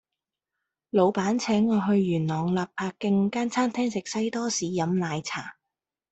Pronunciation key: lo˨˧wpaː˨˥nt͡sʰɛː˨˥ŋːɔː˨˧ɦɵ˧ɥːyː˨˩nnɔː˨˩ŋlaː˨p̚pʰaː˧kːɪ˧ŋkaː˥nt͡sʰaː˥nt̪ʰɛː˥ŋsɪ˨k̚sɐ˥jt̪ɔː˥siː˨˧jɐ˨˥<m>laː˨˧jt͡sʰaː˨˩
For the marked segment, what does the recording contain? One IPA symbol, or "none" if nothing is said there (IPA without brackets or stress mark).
m